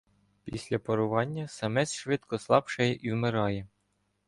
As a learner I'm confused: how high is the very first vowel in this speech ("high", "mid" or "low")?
high